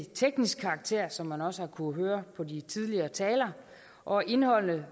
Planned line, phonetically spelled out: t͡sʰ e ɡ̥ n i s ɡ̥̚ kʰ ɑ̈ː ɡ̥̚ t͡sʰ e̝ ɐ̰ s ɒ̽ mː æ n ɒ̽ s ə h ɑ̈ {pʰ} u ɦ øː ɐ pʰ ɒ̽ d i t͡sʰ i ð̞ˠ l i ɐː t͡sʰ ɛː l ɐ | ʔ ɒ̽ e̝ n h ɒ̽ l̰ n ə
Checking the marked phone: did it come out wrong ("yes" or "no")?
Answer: yes